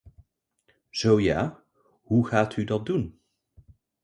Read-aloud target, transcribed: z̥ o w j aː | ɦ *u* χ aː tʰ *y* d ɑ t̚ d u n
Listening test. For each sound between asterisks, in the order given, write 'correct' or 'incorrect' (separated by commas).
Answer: correct, correct